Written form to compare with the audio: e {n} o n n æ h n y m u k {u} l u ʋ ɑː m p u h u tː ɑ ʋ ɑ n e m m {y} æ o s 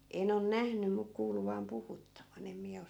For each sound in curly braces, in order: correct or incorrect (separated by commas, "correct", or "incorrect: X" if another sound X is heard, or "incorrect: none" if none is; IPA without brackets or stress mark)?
correct, incorrect: uː, incorrect: i